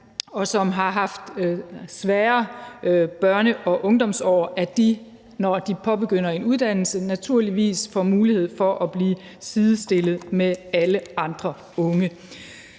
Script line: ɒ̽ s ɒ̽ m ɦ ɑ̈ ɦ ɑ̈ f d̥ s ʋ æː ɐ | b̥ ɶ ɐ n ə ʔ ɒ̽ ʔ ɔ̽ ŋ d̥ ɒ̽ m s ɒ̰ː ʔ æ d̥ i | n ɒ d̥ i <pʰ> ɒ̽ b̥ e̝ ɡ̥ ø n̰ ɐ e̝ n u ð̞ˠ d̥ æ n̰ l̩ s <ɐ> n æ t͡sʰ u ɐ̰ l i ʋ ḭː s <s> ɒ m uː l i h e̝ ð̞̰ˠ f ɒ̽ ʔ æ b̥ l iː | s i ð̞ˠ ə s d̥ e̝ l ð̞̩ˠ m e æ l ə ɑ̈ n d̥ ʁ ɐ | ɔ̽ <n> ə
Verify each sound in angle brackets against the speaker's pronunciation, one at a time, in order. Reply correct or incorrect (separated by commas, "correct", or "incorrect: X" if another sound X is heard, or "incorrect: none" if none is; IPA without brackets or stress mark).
correct, incorrect: ə, incorrect: f, incorrect: ŋ